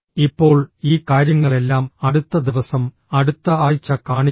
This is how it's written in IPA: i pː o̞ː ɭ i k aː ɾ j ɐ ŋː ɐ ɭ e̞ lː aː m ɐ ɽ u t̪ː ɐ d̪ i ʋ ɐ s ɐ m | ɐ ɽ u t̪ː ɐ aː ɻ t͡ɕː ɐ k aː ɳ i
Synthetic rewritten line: i pː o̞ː ɭ iː k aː ɾ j ɐ ŋː ɐ ɭ e̞ lː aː m ɐ ɽ u t̪ː ɐ d̪ i ʋ ɐ s ɐ m | ɐ ɽ u t̪ː ɐ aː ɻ t͡ɕː ɐ k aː ɳ i